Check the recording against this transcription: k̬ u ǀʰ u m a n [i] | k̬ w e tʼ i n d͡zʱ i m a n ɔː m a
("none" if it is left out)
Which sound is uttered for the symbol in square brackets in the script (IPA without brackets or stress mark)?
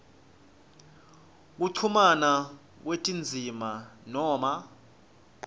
a